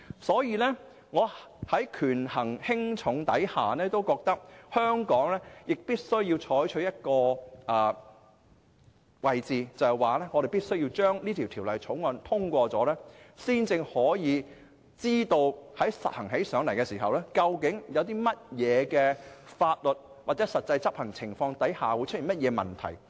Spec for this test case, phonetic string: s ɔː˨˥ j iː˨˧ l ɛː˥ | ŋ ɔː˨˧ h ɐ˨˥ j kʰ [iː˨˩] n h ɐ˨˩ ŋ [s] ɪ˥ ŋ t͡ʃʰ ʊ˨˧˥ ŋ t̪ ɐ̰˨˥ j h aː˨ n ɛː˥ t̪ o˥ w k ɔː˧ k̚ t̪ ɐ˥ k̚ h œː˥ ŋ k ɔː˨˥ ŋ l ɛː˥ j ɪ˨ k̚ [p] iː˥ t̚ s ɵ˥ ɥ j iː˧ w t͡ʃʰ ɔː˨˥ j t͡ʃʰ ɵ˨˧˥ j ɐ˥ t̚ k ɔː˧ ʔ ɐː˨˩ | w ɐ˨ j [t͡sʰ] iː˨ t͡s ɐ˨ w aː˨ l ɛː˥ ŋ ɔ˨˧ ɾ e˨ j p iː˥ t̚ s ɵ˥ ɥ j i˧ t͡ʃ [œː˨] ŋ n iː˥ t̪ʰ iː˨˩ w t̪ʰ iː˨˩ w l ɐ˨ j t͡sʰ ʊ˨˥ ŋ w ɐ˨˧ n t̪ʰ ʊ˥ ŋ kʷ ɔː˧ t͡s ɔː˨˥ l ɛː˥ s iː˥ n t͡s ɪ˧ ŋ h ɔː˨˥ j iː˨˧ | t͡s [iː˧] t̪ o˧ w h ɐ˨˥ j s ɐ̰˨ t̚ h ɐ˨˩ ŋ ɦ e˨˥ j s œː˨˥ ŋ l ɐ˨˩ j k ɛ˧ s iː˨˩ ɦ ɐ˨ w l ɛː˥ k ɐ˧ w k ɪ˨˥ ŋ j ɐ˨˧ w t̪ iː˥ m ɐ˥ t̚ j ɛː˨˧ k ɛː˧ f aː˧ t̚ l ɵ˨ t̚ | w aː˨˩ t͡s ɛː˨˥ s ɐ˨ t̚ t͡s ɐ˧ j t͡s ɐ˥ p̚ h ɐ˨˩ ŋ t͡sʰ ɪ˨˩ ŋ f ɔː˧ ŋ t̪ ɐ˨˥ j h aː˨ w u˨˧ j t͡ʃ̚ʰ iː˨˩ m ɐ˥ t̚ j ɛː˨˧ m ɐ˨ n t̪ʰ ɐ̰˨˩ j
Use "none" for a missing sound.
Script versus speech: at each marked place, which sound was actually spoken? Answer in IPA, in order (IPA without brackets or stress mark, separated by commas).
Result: yː˨˩, h, p, t͡s, œː˥, iː˥